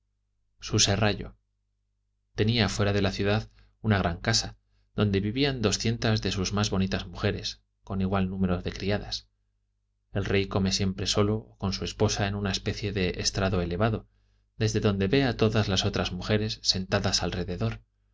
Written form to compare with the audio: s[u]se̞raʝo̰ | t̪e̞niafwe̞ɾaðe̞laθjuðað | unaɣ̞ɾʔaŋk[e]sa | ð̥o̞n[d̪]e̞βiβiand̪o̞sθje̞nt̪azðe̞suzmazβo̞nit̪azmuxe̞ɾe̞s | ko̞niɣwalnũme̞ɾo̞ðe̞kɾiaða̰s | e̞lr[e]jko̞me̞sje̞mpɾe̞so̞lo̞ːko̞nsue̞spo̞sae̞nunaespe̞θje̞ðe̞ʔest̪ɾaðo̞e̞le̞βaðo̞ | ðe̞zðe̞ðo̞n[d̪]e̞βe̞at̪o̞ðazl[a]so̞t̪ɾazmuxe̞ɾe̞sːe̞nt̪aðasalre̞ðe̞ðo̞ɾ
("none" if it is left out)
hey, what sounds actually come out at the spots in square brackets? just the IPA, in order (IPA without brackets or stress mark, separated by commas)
u, a, d̪, e, d̪, a